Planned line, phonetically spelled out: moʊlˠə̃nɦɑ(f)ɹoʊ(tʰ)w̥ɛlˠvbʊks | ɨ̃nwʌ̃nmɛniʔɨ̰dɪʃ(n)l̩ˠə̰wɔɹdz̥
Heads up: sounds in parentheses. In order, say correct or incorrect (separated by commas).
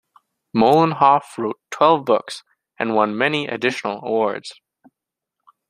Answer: correct, correct, correct